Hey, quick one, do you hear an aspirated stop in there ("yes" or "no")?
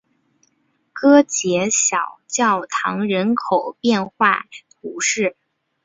yes